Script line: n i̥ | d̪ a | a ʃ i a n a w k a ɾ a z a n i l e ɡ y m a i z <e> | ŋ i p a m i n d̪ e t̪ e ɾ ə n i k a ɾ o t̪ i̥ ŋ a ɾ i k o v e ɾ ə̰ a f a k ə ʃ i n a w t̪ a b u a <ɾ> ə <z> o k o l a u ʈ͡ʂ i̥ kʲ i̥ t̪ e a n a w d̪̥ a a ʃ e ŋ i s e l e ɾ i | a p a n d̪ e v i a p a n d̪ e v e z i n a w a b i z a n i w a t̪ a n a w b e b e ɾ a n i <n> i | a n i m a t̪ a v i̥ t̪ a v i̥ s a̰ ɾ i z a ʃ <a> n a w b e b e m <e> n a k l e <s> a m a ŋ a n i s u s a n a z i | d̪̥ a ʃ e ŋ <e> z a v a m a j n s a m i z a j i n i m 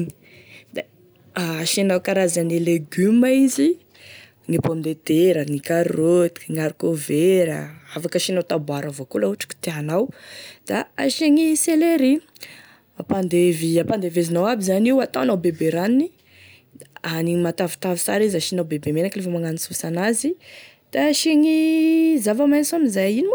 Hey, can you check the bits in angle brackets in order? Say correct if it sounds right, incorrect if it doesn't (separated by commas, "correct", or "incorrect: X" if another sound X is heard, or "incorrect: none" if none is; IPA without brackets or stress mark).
incorrect: i, correct, incorrect: v, correct, incorrect: i, correct, incorrect: f, incorrect: i